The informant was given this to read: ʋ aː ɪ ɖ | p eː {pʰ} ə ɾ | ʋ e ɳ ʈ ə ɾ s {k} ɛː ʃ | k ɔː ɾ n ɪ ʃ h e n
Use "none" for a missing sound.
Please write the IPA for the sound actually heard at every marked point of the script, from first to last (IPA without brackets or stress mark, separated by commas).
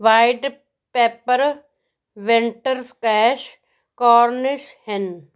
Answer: p, k